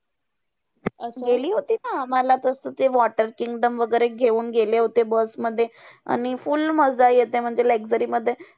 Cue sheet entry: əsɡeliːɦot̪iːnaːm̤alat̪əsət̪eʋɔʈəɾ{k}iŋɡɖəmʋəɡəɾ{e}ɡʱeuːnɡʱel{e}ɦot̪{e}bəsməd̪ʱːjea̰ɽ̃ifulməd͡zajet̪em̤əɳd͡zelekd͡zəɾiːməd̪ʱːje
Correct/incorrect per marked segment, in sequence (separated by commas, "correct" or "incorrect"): correct, correct, correct, correct